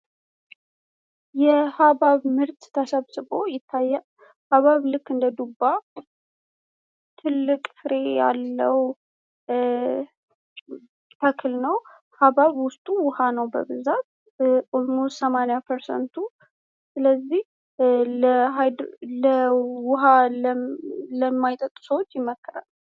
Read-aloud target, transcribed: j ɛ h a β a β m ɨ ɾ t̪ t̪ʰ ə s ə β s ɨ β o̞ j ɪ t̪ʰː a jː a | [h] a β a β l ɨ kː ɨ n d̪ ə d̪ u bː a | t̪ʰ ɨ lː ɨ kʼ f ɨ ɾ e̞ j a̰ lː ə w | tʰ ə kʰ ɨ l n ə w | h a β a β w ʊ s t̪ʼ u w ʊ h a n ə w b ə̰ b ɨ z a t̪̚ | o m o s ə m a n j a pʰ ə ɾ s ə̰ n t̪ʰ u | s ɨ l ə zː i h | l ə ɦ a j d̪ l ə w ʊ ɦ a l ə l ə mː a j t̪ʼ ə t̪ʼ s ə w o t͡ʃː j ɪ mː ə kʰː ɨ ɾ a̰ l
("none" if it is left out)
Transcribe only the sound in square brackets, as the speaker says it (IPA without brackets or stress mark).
h